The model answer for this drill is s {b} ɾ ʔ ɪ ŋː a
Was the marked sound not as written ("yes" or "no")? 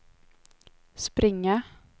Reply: yes